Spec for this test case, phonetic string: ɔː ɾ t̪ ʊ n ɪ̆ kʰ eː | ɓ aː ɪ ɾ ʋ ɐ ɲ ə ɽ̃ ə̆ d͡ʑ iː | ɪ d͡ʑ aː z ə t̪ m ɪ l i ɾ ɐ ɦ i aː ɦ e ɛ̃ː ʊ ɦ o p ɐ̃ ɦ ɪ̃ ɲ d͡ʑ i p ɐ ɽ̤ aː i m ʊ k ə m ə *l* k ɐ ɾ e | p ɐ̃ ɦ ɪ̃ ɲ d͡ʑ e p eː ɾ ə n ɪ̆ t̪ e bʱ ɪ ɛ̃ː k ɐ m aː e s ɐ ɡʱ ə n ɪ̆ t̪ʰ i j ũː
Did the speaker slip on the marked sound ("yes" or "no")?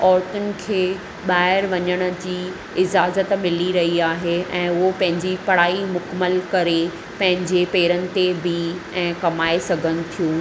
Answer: no